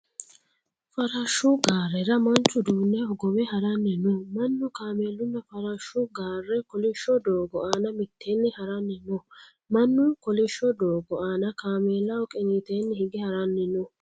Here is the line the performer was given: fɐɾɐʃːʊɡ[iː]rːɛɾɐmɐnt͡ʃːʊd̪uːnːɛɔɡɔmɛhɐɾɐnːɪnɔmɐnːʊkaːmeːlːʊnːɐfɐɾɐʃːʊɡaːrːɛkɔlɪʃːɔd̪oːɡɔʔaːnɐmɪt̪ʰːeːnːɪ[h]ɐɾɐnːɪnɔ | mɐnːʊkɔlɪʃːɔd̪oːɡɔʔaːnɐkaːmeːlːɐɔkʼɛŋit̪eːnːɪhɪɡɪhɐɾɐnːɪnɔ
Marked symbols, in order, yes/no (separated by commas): no, yes